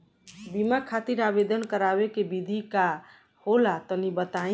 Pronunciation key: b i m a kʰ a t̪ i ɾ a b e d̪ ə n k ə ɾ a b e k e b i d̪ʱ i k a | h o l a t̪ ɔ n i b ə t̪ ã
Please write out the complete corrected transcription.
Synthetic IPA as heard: b i m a kʰ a t̪ i ɾ a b e d̪ ə n k ə ɾ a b e k e b i d̪ʱ i k a | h o l a t̪ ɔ n i b ə t̪ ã